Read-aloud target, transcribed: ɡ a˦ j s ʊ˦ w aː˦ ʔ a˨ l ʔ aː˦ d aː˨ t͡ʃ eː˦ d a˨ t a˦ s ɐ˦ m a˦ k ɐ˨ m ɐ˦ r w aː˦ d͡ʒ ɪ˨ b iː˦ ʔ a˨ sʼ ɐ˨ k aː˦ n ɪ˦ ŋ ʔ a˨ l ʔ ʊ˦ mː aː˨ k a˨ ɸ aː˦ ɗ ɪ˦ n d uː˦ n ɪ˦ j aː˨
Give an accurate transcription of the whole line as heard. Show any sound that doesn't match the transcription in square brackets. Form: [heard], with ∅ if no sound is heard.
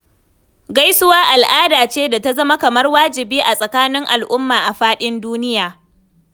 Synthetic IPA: ɡ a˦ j s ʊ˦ w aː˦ ʔ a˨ l ʔ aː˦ d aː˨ t͡ʃ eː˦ d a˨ t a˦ [z] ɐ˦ m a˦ k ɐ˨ m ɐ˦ r w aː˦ d͡ʒ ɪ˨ b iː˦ ʔ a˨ sʼ ɐ˨ k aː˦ n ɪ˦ ŋ ʔ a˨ l ʔ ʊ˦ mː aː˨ [ʔ] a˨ ɸ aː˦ ɗ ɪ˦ n d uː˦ n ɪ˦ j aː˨